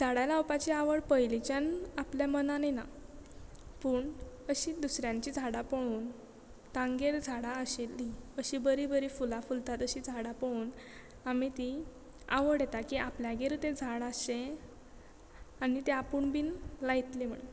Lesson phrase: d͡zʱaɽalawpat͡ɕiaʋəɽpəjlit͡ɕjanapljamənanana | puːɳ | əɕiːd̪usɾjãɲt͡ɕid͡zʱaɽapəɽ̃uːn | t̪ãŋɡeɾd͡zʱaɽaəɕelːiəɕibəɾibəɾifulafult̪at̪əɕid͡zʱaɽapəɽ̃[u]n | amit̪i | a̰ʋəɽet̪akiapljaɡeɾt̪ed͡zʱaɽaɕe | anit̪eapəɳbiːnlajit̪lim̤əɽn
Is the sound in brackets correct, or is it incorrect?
incorrect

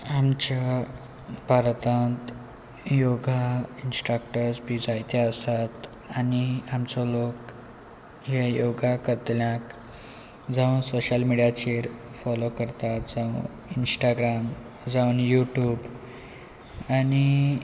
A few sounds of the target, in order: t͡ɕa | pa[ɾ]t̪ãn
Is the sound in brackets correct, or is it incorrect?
correct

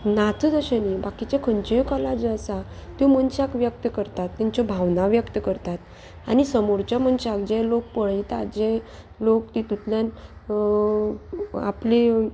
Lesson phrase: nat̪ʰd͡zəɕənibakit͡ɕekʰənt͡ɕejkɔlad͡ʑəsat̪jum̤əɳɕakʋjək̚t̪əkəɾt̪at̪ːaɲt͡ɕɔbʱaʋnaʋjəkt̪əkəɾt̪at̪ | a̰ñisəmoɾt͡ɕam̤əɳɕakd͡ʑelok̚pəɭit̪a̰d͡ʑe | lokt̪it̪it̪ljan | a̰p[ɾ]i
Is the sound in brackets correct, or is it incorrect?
incorrect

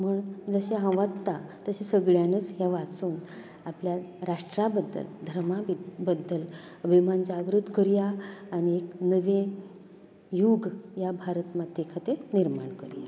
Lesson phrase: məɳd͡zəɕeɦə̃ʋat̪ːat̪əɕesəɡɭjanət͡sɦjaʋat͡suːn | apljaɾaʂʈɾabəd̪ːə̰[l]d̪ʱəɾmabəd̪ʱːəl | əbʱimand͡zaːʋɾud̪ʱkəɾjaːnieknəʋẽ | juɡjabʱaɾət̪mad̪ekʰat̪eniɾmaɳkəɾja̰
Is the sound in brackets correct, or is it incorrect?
correct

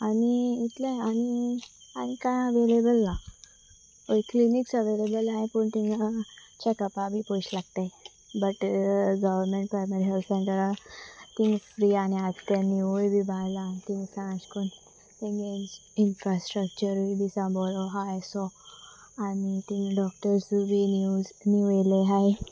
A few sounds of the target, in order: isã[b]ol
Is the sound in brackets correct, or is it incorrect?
correct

